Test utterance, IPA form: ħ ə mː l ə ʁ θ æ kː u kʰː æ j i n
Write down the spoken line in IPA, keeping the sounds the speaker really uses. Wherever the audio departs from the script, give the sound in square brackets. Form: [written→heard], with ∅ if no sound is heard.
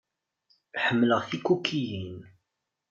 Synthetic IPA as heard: ħ ə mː l ə ʁ θ [æ→i] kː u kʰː [æ→i] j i n